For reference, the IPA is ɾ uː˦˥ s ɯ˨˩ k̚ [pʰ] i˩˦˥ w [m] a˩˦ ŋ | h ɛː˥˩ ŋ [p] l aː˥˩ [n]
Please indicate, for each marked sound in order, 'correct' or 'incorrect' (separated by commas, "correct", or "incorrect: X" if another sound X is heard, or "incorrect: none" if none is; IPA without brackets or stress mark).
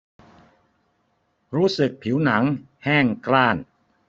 correct, incorrect: n, incorrect: k, correct